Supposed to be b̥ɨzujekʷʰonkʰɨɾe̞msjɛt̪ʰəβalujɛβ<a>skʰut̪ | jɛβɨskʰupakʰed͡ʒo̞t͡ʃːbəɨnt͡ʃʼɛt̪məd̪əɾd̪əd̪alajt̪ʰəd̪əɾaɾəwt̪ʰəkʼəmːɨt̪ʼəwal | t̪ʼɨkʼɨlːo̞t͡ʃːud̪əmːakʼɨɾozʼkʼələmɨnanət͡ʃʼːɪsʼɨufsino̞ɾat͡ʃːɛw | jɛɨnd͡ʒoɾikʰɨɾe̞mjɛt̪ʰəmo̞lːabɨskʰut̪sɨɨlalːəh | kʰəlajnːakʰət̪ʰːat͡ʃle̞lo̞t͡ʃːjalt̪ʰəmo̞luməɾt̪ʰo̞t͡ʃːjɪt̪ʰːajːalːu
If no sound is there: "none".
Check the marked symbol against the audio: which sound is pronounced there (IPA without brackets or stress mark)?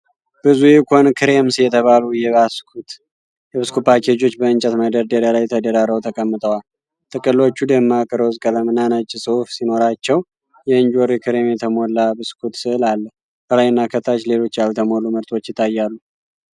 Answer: a